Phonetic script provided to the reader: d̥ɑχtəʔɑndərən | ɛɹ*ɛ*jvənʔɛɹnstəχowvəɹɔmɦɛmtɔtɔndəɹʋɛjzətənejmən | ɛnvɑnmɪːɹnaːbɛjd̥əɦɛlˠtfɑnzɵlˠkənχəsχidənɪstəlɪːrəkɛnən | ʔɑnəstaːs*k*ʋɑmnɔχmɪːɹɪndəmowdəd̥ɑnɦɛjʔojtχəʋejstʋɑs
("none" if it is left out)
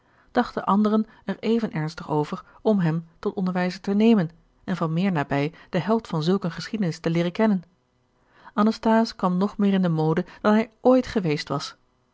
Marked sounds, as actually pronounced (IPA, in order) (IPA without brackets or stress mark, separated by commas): e, k